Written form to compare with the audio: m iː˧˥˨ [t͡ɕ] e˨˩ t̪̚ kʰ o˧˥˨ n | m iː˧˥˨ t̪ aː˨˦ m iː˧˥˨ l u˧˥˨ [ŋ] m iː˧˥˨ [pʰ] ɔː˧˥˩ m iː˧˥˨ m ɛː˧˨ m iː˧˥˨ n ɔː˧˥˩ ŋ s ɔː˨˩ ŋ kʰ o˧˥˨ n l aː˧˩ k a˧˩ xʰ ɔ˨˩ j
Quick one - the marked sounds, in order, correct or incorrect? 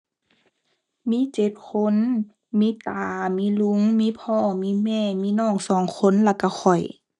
correct, correct, correct

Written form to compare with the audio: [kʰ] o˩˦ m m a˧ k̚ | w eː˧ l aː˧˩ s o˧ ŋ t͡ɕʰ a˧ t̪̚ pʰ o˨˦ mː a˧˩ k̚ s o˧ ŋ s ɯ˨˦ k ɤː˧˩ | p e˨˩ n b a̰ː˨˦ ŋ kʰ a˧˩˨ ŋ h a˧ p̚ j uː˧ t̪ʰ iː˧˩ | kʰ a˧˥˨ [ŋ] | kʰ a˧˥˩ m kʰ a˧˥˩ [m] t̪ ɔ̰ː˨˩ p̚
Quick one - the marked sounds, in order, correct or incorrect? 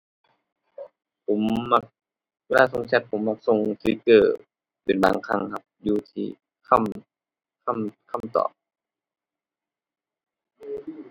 incorrect, incorrect, correct

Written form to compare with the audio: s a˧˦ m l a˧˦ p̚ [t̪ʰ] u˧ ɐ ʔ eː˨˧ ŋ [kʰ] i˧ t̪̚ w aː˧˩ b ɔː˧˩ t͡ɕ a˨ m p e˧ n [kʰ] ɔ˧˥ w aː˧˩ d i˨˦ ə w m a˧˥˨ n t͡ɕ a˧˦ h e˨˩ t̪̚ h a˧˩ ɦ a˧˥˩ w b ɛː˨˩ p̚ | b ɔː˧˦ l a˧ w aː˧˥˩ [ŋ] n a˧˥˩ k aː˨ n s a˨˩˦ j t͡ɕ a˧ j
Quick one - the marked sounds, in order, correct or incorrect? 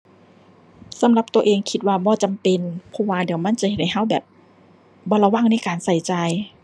incorrect, correct, incorrect, correct

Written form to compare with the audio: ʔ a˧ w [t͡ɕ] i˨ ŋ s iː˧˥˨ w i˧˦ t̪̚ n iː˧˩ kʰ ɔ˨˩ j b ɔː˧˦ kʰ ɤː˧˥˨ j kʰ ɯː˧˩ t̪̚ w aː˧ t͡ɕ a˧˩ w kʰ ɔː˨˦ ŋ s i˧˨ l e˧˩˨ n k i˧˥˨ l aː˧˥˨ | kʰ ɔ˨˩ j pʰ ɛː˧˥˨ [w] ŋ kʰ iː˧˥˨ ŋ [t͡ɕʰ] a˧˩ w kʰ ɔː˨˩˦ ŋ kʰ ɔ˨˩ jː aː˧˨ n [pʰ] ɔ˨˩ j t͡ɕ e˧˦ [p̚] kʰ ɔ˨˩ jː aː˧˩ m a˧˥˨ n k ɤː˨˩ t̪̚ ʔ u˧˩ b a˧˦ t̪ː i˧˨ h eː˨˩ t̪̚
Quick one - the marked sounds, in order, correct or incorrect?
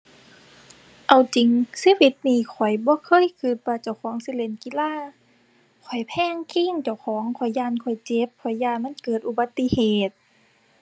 correct, incorrect, incorrect, incorrect, correct

